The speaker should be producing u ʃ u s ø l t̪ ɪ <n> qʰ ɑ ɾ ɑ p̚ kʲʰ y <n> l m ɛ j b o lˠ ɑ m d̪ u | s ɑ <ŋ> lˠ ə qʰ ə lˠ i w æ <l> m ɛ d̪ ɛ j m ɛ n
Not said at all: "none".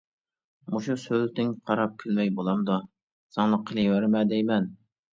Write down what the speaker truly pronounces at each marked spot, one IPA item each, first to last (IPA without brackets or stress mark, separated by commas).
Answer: ŋ, none, ŋ, ɾ